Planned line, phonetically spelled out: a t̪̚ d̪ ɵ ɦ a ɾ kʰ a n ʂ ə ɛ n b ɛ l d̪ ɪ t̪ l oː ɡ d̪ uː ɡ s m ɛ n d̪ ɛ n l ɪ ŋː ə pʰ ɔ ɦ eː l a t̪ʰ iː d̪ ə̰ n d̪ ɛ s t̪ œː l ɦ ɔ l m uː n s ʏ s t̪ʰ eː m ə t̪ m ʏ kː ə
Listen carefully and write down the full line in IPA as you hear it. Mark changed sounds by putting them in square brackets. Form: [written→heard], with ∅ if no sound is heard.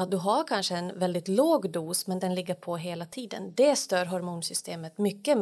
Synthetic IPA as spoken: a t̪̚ d̪ ɵ ɦ a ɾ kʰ a n ʂ ə ɛ n [b→v] ɛ l d̪ ɪ t̪ l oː ɡ d̪ uː [ɡ→∅] s m ɛ n d̪ ɛ n l ɪ [ŋː→ɡː] ə pʰ ɔ ɦ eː l a t̪ʰ iː d̪ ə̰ n d̪ ɛ s t̪ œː [l→ɾ] ɦ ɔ [l→ɾ] m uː n s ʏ s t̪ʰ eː m ə t̪ m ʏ kː ə